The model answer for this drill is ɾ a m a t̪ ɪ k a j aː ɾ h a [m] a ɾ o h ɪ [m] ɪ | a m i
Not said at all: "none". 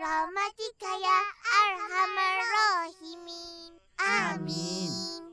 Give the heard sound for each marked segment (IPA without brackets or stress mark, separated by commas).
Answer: m, m